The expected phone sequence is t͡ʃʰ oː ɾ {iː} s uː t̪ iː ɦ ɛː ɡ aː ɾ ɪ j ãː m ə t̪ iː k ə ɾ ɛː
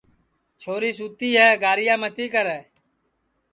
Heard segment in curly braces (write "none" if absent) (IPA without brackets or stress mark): iː